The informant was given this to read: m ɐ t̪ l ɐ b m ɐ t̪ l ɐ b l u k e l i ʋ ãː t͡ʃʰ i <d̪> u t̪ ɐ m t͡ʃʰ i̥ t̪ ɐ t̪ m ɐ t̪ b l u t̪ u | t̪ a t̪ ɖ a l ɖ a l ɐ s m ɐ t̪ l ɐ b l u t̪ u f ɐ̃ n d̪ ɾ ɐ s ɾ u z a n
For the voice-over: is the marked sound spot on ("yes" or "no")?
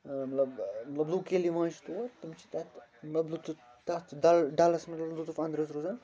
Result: no